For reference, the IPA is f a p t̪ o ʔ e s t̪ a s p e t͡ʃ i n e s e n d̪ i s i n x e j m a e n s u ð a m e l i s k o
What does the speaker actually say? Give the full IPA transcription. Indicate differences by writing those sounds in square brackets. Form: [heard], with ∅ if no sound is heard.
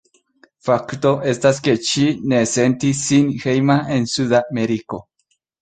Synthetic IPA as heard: f a [k] t̪ o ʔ e s t̪ a s [k] e t͡ʃ i n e s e n [t̪] i s i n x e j m a e n s u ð a m e [ɾ] i [∅] k o